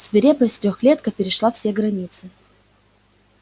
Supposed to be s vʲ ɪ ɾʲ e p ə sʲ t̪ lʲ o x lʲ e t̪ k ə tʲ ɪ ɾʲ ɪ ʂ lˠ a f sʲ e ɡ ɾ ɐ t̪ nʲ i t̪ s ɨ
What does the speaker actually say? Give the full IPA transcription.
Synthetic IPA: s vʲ ɪ ɾʲ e p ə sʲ t̪ ɾʲ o x lʲ e t̪ k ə pʲ ɪ ɾʲ ɪ ʂ lˠ a f sʲ e ɡ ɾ ɐ nʲ i t̪ s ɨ

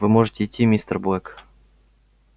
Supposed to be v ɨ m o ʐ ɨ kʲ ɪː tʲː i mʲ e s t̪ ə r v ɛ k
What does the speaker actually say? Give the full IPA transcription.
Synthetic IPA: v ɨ m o ʐ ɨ tʲ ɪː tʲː i mʲ i s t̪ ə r b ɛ k

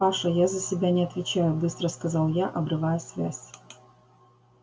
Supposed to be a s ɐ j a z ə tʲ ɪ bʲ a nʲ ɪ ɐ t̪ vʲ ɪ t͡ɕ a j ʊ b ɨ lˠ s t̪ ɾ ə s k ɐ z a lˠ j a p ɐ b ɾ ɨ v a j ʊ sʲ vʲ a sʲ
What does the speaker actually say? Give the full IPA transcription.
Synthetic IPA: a ʂ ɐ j a z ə sʲ ɪ bʲ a nʲ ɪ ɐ t̪ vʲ ɪ t͡ɕ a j ʊ b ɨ s t̪ ɾ ə s k ɐ z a lˠ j a ʔ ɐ b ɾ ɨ v a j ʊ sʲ vʲ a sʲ

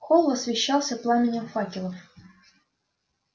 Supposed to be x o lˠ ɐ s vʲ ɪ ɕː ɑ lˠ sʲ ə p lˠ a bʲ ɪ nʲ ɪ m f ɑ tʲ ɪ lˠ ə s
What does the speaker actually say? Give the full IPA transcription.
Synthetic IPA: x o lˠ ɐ s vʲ ɪ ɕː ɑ lˠ sʲ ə p lˠ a mʲ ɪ nʲ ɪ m f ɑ kʲ ɪ lˠ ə f

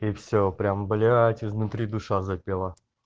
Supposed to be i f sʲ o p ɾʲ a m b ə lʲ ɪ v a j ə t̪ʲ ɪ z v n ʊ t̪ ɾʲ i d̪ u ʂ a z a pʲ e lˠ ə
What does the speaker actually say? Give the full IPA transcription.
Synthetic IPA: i f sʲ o p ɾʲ a m b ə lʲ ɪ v a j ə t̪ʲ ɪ z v n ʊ t̪ ɾʲ i d̪ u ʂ a z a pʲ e lˠ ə

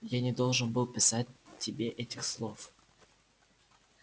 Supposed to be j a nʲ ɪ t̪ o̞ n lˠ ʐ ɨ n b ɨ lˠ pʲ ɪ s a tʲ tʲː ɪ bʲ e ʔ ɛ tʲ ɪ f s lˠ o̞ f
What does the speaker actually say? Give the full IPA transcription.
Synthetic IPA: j a nʲ ɪ d̪ o̞ lˠ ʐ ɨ n b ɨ lˠ pʲ ɪ s a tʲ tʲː ɪ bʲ e ʔ ɛ tʲ ɪ x s lˠ o̞ f

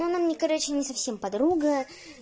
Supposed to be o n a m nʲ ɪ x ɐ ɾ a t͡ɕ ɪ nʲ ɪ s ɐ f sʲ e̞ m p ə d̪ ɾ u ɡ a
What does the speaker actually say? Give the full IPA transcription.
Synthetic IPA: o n a m nʲ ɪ k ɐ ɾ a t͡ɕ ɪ nʲ ɪ s ɐ f sʲ e̞ m p ɐ d̪ ɾ u ɡ ə

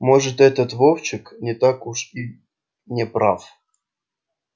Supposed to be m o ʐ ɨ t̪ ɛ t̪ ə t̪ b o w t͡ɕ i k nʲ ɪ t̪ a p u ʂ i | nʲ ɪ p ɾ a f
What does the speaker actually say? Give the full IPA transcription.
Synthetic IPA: m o ʐ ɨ t̪ ɛ t̪ ə t̪ v o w t͡ɕ ɪ k nʲ ɪ t̪ a k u ʂ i | nʲ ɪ p ɾ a f

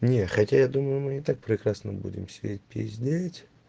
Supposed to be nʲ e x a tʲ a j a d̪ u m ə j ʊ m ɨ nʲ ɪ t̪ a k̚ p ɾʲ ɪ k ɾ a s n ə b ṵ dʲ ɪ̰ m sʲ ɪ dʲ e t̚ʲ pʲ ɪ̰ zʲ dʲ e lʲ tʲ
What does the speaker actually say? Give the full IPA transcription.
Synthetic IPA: nʲ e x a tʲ a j a d̪ u m ə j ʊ m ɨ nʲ ɪ t̪ a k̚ p ɾʲ ɪ k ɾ a s n ə b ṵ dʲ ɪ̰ m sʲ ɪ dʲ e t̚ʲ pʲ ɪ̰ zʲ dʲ e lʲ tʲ

